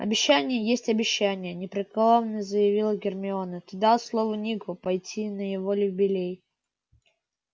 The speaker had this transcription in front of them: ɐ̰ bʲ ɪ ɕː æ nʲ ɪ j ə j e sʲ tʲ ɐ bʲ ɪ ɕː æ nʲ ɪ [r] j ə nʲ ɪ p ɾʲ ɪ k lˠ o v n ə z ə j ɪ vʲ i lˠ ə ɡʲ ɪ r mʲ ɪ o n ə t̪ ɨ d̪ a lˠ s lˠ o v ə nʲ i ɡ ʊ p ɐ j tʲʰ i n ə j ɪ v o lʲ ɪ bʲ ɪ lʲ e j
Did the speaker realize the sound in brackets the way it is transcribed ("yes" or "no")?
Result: no